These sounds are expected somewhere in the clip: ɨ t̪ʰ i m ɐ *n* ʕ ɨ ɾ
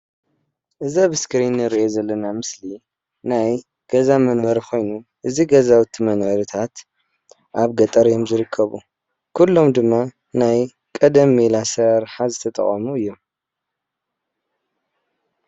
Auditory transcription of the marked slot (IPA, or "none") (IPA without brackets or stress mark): n